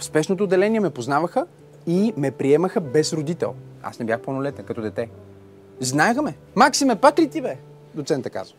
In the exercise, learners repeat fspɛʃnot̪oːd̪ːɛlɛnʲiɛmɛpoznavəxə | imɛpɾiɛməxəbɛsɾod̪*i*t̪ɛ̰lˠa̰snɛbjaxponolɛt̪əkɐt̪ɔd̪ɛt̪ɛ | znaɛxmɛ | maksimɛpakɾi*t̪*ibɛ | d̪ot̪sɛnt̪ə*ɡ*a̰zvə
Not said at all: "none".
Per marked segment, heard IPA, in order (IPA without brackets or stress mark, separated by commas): i, t̪, k